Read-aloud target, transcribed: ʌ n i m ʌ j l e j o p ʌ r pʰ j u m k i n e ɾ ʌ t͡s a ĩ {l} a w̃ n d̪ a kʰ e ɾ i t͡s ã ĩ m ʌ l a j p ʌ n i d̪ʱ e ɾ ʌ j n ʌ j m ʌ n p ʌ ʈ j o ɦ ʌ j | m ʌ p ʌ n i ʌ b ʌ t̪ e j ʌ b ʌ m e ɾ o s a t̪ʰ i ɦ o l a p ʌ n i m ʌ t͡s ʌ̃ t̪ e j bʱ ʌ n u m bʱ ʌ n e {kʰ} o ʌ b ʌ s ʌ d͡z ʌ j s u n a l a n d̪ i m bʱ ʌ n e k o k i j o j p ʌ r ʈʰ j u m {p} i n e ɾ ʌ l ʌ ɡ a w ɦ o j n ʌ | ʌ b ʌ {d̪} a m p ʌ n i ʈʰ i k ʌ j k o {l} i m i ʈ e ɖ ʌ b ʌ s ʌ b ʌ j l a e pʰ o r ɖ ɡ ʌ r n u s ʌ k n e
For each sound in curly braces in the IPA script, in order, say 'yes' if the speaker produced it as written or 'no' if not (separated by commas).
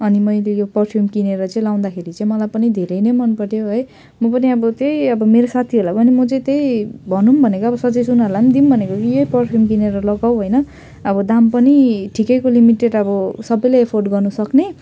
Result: yes, no, no, yes, yes